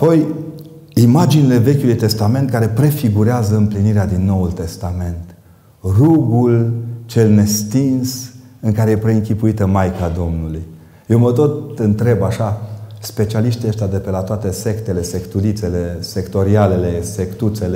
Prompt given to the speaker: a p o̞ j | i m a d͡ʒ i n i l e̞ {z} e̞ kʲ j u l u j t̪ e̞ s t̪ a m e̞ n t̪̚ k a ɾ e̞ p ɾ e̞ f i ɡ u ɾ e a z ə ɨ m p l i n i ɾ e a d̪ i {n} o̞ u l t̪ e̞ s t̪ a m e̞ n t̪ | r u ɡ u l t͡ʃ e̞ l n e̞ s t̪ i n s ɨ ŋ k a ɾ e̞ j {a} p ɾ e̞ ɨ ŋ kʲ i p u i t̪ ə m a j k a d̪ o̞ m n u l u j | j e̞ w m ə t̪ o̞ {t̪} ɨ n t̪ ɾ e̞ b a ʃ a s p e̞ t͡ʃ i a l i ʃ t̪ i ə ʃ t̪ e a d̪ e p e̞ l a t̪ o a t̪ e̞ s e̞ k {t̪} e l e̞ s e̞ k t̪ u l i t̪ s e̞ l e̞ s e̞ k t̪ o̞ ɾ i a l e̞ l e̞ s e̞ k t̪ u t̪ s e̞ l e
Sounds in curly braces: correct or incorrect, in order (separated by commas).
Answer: incorrect, incorrect, incorrect, correct, correct